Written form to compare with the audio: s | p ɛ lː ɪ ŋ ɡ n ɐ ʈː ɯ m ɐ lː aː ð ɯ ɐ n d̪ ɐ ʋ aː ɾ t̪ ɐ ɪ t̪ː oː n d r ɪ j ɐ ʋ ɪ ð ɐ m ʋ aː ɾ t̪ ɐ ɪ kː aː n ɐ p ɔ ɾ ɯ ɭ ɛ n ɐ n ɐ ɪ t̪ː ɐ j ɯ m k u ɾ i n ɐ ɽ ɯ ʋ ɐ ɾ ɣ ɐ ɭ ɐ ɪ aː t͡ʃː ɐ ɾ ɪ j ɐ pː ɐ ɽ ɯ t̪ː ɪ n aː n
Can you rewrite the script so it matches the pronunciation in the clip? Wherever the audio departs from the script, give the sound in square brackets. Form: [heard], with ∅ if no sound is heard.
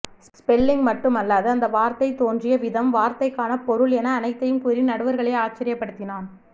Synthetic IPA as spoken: s | p ɛ lː ɪ ŋ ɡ [m] ɐ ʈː ɯ m ɐ lː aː ð ɯ ɐ n d̪ ɐ ʋ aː ɾ t̪ ɐ ɪ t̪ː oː n d r ɪ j ɐ ʋ ɪ ð ɐ m ʋ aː ɾ t̪ ɐ ɪ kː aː n ɐ p ɔ ɾ ɯ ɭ ɛ n [ɐː] n ɐ ɪ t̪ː ɐ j ɯ m k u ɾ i n ɐ ɽ ɯ ʋ ɐ ɾ ɣ ɐ ɭ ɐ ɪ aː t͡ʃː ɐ ɾ ɪ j ɐ pː ɐ ɽ ɯ t̪ː ɪ n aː n